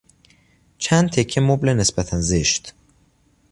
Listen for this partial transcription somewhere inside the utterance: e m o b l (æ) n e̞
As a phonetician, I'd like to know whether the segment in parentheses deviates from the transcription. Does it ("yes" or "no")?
yes